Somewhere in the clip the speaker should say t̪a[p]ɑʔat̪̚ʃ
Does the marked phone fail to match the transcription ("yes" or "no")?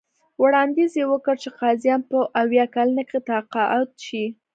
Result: yes